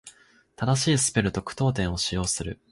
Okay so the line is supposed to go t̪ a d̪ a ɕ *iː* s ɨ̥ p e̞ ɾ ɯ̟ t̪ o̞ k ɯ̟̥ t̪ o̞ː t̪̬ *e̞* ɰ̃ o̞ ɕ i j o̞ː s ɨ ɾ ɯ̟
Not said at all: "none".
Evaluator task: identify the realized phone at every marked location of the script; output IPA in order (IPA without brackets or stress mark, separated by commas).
iː, ẽ̞